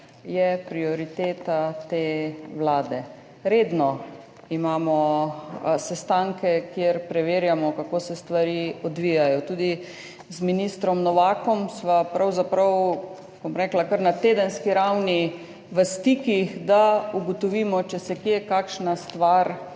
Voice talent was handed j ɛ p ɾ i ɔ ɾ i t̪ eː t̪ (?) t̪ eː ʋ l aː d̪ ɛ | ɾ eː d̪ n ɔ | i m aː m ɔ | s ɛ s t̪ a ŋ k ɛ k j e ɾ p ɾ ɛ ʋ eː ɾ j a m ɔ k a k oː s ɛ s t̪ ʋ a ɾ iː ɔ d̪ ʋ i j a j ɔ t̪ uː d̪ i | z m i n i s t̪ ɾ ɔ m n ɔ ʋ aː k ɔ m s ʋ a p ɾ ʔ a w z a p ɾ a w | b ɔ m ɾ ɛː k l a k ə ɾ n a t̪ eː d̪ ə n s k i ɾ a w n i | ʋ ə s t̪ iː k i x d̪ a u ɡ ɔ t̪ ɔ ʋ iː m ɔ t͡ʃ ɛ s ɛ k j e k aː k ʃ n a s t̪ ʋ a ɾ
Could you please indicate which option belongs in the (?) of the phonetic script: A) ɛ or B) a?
B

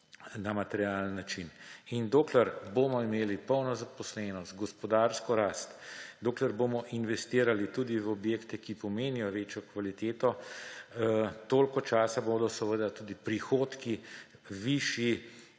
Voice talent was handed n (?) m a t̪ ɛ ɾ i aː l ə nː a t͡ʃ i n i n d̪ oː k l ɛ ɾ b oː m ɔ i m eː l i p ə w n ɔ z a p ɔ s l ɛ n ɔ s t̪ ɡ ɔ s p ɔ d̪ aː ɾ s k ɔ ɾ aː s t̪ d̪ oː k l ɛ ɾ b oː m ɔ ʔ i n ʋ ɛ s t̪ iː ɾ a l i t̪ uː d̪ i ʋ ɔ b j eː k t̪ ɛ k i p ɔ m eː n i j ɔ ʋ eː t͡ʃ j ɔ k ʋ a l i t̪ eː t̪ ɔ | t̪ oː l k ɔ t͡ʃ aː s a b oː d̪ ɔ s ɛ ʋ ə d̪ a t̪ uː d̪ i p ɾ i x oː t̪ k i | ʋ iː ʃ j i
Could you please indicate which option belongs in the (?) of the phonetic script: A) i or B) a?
B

